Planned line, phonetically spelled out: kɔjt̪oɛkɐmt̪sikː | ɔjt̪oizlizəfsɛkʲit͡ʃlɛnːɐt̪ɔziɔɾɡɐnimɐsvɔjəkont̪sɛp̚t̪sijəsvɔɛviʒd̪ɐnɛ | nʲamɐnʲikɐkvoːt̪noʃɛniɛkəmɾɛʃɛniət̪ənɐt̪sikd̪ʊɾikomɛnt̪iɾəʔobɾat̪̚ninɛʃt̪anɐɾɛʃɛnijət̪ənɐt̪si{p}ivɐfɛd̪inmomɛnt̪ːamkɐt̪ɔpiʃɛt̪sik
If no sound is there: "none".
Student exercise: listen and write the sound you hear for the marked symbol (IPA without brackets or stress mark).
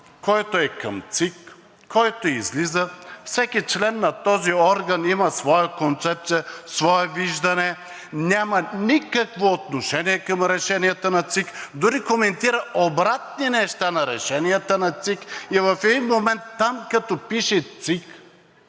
k